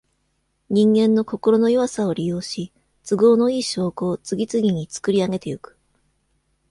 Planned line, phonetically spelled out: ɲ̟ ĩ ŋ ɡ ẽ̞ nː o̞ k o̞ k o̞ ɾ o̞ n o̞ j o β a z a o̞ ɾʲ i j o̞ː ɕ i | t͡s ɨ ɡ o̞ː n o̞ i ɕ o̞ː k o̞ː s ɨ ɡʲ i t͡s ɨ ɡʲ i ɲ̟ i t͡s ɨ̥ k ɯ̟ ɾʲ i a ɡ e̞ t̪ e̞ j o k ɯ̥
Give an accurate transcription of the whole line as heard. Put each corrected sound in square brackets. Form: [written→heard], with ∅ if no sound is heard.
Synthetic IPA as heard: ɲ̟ ĩ ŋ ɡ ẽ̞ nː o̞ k o̞ k o̞ ɾ o̞ n o̞ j o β a [z→s] a o̞ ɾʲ i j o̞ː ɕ i | t͡s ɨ ɡ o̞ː n o̞ [i→iː] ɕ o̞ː k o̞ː [s→t͡s] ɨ ɡʲ i t͡s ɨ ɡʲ i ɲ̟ i t͡s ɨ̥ k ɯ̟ ɾʲ i a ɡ e̞ t̪ e̞ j o k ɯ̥

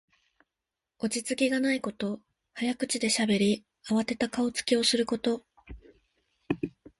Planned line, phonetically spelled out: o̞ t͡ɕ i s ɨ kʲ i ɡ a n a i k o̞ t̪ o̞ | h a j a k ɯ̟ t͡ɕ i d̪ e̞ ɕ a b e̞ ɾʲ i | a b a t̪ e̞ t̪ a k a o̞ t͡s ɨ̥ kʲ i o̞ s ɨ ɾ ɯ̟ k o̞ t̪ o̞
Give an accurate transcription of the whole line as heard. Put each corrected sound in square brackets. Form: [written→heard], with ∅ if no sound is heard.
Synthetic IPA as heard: o̞ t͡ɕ i [s→t͡s] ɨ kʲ i ɡ a n a i k o̞ t̪ o̞ | h a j a k ɯ̟ t͡ɕ i d̪ e̞ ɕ a b e̞ ɾʲ i | a [b→β] a t̪ e̞ t̪ a k a o̞ t͡s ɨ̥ kʲ i o̞ s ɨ ɾ ɯ̟ k o̞ t̪ o̞

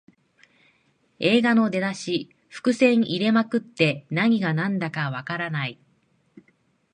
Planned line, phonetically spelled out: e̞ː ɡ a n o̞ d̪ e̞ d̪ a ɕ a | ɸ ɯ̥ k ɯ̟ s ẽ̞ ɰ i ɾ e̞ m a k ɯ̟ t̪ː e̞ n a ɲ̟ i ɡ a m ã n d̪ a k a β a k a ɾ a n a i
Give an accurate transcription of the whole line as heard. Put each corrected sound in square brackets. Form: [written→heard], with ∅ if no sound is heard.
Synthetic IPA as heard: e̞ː ɡ a n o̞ d̪ e̞ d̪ a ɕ [a→i] | ɸ ɯ̥ k ɯ̟ s ẽ̞ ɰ i ɾ e̞ m a k ɯ̟ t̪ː e̞ n a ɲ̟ i ɡ a [m→n] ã n d̪ a k a β a k a ɾ a n a i

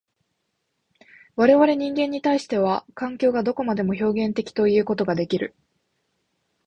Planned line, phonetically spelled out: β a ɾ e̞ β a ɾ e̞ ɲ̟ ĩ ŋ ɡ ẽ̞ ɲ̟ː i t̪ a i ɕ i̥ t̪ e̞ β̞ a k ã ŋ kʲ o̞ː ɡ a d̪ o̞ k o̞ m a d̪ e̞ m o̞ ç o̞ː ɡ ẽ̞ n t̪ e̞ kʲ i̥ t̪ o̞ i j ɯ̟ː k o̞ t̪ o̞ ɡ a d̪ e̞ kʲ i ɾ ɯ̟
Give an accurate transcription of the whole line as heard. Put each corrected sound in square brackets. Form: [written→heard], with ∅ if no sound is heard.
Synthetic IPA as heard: β a ɾ e̞ β a ɾ e̞ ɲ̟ ĩ ŋ ɡ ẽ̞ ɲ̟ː i t̪ a i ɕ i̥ t̪ e̞ β̞ a k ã ŋ kʲ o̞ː ɡ a d̪ o̞ k o̞ m a d̪ e̞ m o̞ ç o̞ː ɡ ẽ̞ n t̪ e̞ kʲ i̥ t̪ o̞ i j ɯ̟ː k o̞ t̪ o̞ ɡ a d̪ e̞ kʲ i ɾ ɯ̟

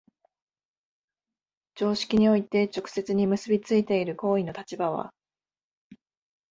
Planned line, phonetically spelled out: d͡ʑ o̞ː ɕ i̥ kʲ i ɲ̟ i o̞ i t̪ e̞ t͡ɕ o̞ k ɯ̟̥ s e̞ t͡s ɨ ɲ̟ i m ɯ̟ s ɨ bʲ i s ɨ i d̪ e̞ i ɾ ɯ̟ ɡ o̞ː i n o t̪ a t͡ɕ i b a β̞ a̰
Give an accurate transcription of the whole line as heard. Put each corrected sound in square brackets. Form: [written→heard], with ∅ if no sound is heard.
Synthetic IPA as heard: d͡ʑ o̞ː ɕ i̥ kʲ i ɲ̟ i o̞ i t̪ e̞ t͡ɕ o̞ k ɯ̟̥ s e̞ t͡s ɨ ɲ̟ i m ɯ̟ s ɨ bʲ i [s→t͡s] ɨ i [d̪→t̪] e̞ i ɾ ɯ̟ [ɡ→k] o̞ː i n o t̪ a t͡ɕ i b a β̞ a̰

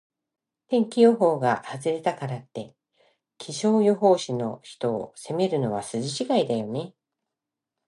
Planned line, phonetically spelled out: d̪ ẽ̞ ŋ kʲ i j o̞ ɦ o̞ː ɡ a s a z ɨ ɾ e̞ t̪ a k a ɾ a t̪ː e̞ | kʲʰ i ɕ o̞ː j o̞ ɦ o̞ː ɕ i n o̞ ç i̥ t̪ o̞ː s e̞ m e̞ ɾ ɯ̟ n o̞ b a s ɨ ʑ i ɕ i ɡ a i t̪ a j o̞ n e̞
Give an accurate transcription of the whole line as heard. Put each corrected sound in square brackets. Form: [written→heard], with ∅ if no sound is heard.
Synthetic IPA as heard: [d̪→t̪] ẽ̞ ŋ kʲ i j o̞ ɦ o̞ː ɡ a [s→h] a z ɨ ɾ e̞ t̪ a k a ɾ a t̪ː e̞ | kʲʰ i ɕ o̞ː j o̞ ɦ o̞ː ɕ i n o̞ ç i̥ t̪ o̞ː s e̞ m e̞ ɾ ɯ̟ n o̞ [b→β] a s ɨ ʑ i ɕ i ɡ a i [t̪→d̪] a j o̞ n e̞

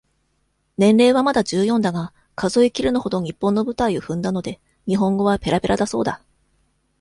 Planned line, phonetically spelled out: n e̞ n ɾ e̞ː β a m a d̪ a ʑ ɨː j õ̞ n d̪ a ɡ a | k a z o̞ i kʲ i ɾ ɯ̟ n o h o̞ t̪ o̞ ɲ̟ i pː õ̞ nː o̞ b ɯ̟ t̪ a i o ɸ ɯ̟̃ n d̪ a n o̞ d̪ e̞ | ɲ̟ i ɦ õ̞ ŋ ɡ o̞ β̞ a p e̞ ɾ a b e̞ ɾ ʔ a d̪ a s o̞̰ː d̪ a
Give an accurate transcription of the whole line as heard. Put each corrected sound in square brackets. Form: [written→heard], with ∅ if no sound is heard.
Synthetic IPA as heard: n [e̞→ẽ̞] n ɾ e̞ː β a m a d̪ a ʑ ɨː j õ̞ n d̪ a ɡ a | k a z o̞ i kʲ i ɾ ɯ̟ n o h o̞ [t̪→d̪] o̞ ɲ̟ i pː õ̞ nː o̞ b ɯ̟ t̪ a i o ɸ ɯ̟̃ n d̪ a n o̞ d̪ e̞ | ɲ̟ i ɦ õ̞ ŋ ɡ o̞ β̞ a p e̞ ɾ a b e̞ ɾ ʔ a d̪ a s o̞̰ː d̪ a

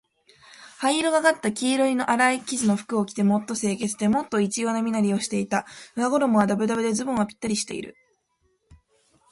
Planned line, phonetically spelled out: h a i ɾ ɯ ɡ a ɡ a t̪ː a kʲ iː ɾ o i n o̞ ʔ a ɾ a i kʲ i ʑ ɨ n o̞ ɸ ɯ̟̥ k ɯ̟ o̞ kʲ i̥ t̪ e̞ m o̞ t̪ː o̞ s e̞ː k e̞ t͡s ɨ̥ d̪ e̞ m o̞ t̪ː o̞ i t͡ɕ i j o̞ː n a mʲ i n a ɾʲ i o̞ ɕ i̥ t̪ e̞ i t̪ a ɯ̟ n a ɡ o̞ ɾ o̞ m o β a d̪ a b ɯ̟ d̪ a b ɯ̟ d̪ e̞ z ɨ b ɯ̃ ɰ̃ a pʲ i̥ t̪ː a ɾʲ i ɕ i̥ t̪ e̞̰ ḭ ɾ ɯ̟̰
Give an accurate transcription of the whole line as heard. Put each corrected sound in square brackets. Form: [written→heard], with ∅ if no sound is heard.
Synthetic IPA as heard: h a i ɾ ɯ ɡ a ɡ a t̪ː a kʲ iː ɾ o i n o̞ ʔ a ɾ a i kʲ i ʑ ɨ n o̞ ɸ ɯ̟̥ k ɯ̟ o̞ kʲ i̥ t̪ e̞ m o̞ t̪ː o̞ s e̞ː k e̞ t͡s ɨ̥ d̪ e̞ m o̞ t̪ː o̞ i t͡ɕ i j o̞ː n a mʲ i n a ɾʲ i o̞ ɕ i̥ t̪ e̞ i t̪ a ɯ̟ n a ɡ o̞ ɾ o̞ m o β a d̪ a b ɯ̟ d̪ a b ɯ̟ d̪ e̞ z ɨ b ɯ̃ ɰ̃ a pʲ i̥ t̪ː a ɾʲ i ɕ i̥ t̪ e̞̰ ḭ ɾ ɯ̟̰

